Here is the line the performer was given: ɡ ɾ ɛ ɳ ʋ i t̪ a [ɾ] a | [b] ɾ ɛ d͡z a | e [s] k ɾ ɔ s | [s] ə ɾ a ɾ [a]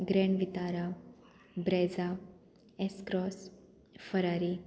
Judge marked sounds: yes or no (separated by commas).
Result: yes, yes, yes, no, no